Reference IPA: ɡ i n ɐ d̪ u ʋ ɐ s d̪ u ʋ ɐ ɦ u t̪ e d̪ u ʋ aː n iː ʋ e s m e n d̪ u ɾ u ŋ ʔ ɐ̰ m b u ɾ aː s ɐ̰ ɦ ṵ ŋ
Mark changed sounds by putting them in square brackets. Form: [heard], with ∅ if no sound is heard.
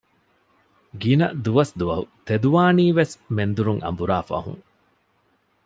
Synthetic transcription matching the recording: ɡ i n ɐ d̪ u ʋ ɐ s d̪ u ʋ ɐ ɦ u t̪ e d̪ u ʋ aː n iː ʋ e s m e n d̪ u ɾ u ŋ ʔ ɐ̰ m b u ɾ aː [f] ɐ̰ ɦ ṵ ŋ